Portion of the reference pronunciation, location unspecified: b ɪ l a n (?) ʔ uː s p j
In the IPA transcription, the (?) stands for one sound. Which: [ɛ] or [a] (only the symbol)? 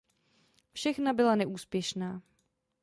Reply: ɛ